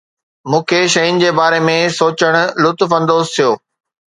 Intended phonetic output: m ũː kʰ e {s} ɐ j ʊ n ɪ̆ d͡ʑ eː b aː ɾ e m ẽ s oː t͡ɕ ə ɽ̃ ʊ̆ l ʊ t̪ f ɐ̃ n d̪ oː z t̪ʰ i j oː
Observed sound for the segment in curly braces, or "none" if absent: ʃ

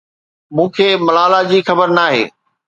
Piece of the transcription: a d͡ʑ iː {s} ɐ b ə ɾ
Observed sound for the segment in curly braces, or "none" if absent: x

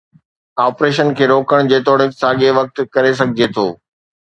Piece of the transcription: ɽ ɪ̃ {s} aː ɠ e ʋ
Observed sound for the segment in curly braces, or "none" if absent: s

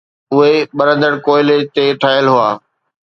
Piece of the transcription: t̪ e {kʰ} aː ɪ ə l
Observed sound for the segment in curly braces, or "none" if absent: ʈʰ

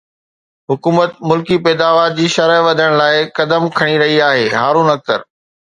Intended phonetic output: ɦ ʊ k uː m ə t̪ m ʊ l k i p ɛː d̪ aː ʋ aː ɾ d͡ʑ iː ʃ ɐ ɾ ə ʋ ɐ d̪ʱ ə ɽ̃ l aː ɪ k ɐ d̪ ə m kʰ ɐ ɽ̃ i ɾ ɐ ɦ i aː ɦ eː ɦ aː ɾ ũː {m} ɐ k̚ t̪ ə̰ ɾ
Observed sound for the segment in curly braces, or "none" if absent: n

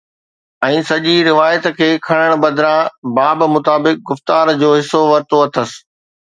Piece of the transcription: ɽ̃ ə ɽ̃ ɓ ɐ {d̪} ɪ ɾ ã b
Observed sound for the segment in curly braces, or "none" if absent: d̪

